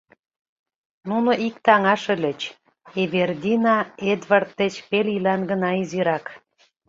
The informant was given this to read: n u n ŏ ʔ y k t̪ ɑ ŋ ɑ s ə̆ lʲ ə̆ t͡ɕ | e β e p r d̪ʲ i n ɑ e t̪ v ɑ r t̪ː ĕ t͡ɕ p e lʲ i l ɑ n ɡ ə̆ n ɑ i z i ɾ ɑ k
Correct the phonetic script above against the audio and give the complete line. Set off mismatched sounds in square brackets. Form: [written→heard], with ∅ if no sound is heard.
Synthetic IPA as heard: n u n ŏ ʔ [y→i] k t̪ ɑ ŋ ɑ [s→ʃ] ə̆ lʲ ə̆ t͡ɕ | e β e [p→∅] r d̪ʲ i n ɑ e [t̪→d̪] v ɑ r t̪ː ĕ t͡ɕ p e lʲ i l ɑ n ɡ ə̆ n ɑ i z i ɾ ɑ k

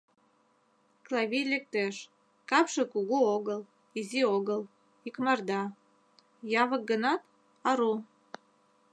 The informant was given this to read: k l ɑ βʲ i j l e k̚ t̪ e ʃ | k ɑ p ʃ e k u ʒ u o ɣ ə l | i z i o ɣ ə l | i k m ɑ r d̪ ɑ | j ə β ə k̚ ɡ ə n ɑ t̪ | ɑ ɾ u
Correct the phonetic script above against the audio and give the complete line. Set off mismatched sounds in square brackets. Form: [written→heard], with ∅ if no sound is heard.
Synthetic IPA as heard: k l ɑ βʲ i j l e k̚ t̪ e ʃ | k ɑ p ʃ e k u [ʒ→ɣ] u o ɣ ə l | i z i o ɣ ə l | i k m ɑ r d̪ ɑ | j [ə→ɑ] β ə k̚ ɡ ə n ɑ t̪ | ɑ ɾ u

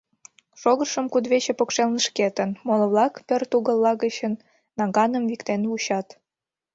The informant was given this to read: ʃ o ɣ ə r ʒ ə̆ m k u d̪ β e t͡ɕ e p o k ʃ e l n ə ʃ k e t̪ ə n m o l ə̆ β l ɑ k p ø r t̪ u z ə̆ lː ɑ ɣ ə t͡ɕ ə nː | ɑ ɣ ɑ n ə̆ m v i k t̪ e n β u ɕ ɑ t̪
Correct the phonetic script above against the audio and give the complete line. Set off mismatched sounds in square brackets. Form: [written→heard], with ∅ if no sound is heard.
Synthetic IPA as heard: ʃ o ɣ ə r [ʒ→ʃ] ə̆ m k u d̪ β e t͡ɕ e p o k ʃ e l n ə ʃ k e t̪ ə n m o l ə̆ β l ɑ k p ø r t̪ u [z→ɣ] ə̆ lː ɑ ɣ ə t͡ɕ ə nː | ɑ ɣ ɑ n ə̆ m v i k t̪ e n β u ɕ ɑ t̪

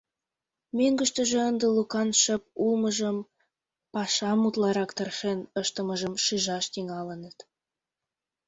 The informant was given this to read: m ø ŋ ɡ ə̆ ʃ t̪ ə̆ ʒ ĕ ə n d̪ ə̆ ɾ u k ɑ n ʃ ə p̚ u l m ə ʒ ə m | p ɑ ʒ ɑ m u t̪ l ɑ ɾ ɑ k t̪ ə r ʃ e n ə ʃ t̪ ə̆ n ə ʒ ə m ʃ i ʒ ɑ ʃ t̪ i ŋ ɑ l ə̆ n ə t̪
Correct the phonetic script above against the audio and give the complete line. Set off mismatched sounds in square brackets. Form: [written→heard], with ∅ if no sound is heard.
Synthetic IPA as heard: m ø ŋ ɡ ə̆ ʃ t̪ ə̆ ʒ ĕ ə n d̪ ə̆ [ɾ→l] u k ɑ n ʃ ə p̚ u l m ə ʒ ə m | p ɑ [ʒ→ʃ] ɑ m u t̪ l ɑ ɾ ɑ k t̪ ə r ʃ e n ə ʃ t̪ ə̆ [n→m] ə ʒ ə m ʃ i ʒ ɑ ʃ t̪ i ŋ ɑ l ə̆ n ə t̪

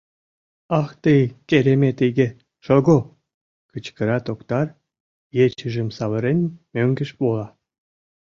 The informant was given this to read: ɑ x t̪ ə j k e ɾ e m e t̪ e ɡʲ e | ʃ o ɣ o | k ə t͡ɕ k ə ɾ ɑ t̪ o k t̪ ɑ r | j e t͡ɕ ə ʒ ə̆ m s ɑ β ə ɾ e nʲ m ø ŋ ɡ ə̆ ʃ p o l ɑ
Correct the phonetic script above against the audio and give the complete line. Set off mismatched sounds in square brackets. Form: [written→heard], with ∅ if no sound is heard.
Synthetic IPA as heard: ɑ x t̪ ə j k e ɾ e m e t̪ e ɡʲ e | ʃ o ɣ o | k ə t͡ɕ k ə ɾ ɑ t̪ o k t̪ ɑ r | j e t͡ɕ ə ʒ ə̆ m s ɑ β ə ɾ e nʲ m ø ŋ ɡ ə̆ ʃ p o l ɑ

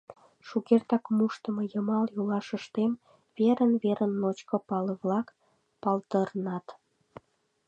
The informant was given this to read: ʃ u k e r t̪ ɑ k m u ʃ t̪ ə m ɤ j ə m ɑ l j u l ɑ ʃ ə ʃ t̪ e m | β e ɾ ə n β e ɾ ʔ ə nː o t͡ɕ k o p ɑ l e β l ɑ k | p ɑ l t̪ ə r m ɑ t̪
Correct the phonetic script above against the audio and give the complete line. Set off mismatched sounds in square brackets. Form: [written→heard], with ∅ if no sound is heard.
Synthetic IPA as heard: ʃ u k e r t̪ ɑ k m u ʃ t̪ ə m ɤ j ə m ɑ l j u l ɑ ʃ ə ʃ t̪ e m | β e ɾ ə n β e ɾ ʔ ə nː o t͡ɕ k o p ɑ l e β l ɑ k | p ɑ l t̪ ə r [m→n] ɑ t̪

